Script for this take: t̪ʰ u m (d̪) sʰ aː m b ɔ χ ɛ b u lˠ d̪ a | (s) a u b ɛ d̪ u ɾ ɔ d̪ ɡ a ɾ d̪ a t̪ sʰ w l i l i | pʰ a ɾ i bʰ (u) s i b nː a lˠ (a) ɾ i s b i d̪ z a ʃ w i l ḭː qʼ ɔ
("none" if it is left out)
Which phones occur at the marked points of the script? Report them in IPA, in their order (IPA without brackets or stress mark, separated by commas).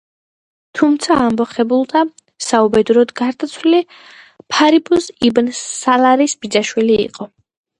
t̪, s, u, a